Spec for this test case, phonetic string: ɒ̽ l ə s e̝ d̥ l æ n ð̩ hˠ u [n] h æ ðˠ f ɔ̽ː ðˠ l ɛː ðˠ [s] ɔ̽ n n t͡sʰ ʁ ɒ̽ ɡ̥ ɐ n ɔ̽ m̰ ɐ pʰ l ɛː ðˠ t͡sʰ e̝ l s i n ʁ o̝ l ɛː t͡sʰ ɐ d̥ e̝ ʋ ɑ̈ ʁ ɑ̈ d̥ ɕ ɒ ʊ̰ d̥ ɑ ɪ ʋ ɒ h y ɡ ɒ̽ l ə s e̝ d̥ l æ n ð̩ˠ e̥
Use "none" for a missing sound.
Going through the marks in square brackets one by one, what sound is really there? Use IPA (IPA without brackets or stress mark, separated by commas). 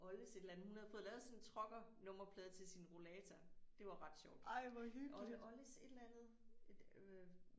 n, s